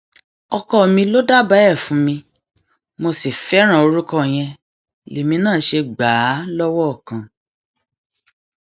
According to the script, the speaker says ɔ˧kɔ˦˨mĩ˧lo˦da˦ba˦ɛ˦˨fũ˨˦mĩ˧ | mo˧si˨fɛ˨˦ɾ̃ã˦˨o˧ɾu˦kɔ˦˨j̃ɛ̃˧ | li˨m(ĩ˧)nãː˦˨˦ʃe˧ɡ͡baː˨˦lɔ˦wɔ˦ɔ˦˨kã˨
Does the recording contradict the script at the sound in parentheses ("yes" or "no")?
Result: no